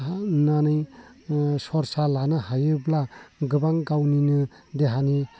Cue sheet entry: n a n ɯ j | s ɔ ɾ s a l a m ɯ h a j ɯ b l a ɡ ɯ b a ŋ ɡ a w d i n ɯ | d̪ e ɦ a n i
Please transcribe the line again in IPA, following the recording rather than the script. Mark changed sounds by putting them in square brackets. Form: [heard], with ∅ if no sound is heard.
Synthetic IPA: n a n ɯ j | s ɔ ɾ s a l a [n] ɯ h a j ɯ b l a ɡ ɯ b a ŋ ɡ a w [n] i n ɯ | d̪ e ɦ a n i